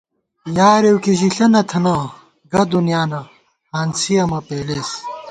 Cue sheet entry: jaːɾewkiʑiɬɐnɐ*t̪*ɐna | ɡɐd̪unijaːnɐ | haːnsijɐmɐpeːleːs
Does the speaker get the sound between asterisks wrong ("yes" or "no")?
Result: yes